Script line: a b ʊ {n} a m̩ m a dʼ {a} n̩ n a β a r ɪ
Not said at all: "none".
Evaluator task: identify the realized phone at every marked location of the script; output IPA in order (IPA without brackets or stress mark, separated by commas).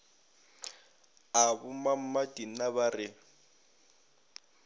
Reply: m, i